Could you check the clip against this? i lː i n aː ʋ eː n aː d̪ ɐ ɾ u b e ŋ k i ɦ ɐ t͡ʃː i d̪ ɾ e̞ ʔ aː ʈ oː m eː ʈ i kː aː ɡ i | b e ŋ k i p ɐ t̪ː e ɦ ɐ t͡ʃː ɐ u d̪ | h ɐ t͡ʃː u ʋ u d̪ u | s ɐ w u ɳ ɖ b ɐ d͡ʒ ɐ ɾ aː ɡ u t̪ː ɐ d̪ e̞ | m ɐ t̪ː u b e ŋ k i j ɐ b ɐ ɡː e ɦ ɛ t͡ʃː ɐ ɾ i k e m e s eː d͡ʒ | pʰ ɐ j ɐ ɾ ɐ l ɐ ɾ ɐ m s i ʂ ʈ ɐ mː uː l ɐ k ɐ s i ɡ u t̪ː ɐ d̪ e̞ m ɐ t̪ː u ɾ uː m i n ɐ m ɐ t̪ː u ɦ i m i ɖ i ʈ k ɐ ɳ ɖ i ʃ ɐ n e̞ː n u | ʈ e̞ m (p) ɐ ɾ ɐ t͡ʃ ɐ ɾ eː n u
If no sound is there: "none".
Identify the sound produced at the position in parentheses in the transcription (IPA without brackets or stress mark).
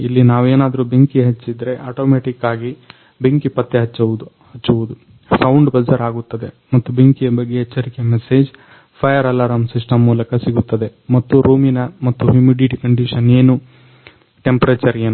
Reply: p